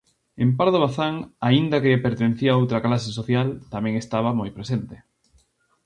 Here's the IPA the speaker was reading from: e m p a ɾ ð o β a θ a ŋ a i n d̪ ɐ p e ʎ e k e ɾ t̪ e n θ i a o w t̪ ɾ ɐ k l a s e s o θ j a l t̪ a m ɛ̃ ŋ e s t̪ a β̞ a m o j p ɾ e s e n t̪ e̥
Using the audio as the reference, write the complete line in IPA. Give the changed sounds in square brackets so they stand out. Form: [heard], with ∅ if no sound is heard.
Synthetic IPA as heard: e m p a ɾ ð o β a θ a ŋ a i n d̪ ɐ [k] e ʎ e [p] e ɾ t̪ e n θ i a o w t̪ ɾ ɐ k l a s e s o θ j a l t̪ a m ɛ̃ ŋ e s t̪ a β̞ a m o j p ɾ e s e n t̪ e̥